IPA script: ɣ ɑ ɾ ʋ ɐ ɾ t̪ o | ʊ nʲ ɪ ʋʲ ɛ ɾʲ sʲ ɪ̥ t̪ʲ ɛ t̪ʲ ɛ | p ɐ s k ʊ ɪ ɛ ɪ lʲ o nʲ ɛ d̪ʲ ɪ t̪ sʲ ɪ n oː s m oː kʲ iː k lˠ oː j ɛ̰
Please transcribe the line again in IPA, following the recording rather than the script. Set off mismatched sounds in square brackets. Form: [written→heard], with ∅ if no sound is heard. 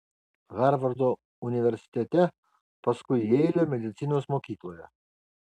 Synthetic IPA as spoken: ɣ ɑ ɾ ʋ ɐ ɾ [t̪→d̪] o | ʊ nʲ ɪ ʋʲ ɛ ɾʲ sʲ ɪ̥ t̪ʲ ɛ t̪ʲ ɛ | p ɐ s k ʊ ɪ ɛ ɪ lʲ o [nʲ→mʲ] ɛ d̪ʲ ɪ t̪ sʲ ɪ n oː s m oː kʲ iː k lˠ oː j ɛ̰